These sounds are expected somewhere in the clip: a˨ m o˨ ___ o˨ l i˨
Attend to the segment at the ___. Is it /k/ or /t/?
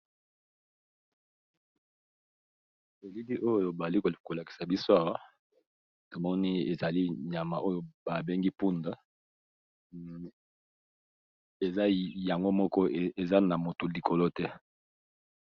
t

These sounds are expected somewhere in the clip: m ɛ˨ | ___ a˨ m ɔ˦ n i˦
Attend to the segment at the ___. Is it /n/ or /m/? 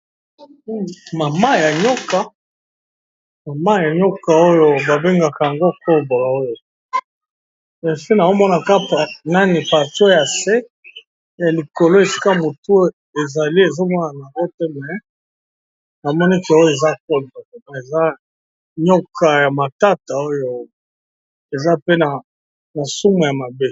n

